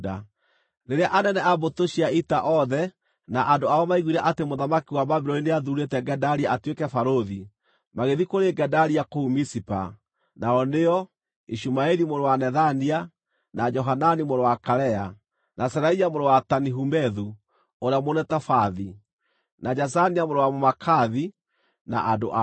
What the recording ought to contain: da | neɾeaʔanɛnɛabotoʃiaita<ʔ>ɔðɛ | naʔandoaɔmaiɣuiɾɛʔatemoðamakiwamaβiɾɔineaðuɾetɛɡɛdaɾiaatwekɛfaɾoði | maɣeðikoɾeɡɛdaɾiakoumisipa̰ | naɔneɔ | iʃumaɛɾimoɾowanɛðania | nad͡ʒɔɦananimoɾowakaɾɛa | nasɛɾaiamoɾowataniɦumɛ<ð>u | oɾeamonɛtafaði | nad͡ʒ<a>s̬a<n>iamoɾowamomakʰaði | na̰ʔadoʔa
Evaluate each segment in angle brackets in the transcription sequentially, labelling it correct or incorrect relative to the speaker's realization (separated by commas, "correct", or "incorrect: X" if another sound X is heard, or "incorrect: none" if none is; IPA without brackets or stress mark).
correct, correct, correct, correct